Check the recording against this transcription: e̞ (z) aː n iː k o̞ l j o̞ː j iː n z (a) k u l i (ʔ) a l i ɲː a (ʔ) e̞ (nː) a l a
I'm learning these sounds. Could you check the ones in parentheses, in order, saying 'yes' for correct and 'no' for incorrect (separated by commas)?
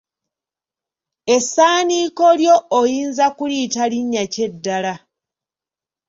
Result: no, yes, no, no, no